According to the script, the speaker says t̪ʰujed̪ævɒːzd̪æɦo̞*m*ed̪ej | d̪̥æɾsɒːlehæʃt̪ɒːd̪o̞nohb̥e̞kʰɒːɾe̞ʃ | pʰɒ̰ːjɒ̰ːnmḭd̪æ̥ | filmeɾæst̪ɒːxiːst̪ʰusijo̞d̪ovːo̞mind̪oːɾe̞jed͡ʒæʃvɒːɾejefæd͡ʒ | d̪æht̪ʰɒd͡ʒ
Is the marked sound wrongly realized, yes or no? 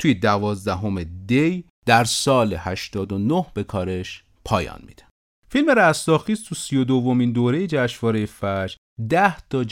no